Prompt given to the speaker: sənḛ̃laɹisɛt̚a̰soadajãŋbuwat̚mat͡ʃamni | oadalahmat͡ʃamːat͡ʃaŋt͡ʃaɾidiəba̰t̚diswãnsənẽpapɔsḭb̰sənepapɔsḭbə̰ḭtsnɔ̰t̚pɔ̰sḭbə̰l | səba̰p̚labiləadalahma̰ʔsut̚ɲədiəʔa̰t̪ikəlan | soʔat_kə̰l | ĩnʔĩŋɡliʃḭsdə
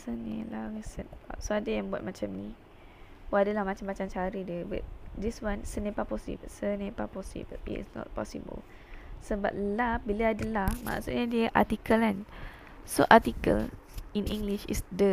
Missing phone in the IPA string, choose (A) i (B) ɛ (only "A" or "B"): A